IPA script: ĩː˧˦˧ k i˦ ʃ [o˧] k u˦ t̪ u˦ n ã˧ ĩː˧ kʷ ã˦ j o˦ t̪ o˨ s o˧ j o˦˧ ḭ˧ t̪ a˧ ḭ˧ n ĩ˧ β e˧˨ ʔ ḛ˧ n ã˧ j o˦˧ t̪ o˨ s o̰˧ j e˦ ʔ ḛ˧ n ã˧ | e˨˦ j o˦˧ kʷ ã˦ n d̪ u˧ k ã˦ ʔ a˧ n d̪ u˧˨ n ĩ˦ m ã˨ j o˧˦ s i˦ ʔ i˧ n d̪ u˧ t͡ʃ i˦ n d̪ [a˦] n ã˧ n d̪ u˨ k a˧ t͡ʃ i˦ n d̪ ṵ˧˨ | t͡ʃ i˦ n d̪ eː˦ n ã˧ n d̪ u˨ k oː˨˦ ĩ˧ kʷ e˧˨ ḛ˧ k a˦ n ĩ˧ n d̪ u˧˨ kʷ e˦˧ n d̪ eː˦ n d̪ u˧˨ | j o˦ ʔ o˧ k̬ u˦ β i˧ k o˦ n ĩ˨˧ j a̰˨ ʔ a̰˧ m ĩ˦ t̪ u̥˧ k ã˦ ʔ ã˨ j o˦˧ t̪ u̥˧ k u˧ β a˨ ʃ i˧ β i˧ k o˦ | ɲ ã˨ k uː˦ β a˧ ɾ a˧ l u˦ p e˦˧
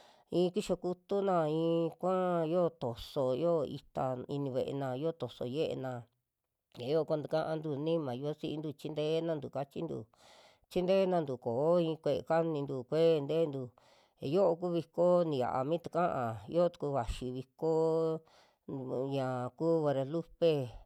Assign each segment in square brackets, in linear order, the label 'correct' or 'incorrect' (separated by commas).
correct, incorrect